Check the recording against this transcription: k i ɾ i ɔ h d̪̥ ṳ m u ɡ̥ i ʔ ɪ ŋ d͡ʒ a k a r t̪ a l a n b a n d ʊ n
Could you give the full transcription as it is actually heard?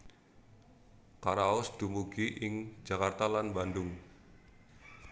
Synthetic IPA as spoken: k a ɾ a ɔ s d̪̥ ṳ m u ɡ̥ i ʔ ɪ ŋ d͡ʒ a k a r t̪ a l a n b a n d ʊ ŋ

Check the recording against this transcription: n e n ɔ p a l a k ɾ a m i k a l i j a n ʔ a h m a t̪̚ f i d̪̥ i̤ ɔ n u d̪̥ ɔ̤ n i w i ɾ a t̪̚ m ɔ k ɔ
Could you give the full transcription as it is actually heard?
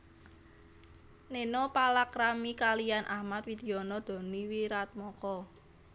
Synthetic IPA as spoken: n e n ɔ p a l a k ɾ a m i k a l i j a n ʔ a h m a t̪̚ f i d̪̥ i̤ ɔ n ɔ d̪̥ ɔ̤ n i w i ɾ a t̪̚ m ɔ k ɔ

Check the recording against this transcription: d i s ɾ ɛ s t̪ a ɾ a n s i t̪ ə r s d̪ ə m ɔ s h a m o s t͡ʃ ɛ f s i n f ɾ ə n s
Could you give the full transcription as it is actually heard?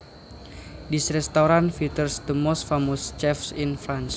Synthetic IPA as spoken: d i s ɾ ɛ s t̪ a ɾ a n f i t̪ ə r s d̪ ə m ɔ s f a m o s t͡ʃ ɛ f s i n f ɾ a n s

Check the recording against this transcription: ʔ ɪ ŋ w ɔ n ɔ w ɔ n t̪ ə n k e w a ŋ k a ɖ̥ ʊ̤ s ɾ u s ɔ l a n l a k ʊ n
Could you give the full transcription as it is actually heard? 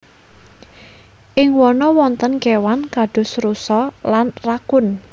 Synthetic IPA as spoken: ʔ ɪ ŋ w ɔ n ɔ w ɔ n t̪ ə n k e w a n k a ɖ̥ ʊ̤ s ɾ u s ɔ l a n r a k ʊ n

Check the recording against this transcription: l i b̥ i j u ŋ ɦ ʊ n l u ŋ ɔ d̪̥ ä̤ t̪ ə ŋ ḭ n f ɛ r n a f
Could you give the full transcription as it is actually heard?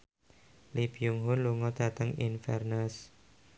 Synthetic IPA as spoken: l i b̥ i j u ŋ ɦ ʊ n l u ŋ ɔ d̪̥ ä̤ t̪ ə ŋ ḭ n f ɛ r n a s

